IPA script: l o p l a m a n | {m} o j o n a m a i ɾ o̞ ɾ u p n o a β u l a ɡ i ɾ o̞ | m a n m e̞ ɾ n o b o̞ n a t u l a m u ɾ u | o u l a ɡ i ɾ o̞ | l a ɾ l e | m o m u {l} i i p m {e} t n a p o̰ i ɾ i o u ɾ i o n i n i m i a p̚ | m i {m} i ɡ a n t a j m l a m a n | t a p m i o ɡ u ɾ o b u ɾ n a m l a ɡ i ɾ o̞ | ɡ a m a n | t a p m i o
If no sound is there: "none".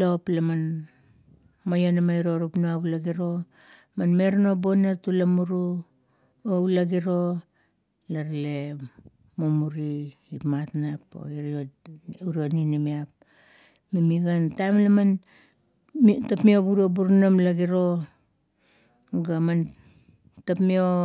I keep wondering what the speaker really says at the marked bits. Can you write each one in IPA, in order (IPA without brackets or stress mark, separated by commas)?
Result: m, ɾ, a, m